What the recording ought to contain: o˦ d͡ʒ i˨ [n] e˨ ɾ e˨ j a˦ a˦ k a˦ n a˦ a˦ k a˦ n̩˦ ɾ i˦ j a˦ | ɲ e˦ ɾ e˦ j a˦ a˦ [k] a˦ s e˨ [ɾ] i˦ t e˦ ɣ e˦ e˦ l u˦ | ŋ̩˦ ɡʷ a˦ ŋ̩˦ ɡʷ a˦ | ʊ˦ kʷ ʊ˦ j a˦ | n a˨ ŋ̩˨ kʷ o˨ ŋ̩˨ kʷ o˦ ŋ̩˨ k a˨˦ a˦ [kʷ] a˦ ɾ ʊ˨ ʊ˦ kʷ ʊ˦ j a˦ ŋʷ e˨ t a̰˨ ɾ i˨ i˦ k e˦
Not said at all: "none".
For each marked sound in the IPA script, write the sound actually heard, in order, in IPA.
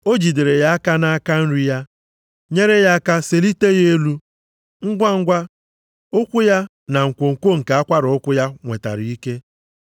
d, k, l, kʷ

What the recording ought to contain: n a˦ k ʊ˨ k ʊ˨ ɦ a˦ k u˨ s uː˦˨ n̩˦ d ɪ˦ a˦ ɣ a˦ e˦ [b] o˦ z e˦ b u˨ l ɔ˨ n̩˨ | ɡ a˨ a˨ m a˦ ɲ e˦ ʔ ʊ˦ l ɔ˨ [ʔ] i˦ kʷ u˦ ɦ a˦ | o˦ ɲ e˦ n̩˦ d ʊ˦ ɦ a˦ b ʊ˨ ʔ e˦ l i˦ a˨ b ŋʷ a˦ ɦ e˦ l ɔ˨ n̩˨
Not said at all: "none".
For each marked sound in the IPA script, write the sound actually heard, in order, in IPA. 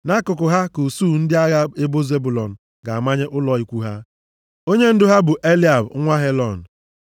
b, none

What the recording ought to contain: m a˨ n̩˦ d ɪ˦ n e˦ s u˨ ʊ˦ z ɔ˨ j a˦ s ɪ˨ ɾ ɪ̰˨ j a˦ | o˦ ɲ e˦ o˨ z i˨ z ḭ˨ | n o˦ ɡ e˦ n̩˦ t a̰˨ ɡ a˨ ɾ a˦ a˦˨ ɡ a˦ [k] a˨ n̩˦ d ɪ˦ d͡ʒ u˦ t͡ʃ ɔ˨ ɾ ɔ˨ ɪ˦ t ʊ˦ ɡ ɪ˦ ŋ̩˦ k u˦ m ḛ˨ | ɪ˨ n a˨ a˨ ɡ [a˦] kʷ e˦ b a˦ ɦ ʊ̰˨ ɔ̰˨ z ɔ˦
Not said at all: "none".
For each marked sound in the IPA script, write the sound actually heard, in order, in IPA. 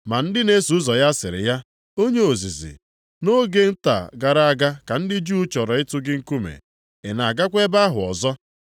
k, a˦

